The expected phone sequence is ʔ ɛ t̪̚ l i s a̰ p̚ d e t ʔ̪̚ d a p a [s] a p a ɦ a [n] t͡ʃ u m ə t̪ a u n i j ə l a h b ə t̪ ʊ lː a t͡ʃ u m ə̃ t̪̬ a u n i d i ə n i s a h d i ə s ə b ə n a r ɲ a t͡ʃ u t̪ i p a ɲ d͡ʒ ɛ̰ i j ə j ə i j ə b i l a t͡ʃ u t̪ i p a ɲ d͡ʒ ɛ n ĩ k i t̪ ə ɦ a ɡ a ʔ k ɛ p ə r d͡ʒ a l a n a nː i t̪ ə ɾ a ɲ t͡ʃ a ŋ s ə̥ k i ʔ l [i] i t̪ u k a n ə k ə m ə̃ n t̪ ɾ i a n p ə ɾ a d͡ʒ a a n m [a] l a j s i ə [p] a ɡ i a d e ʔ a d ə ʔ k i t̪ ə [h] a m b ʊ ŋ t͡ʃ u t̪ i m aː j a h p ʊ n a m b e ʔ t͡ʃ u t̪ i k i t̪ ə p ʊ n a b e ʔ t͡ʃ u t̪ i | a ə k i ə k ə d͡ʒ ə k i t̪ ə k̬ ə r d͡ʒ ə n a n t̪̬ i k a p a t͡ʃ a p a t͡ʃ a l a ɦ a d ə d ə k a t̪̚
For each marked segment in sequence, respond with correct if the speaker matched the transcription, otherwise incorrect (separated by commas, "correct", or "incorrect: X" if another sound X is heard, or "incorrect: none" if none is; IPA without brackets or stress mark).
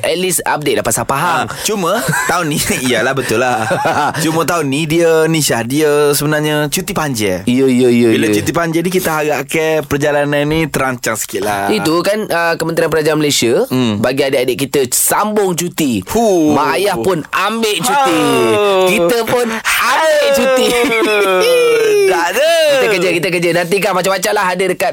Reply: correct, incorrect: ŋ, incorrect: a, incorrect: ə, incorrect: b, incorrect: s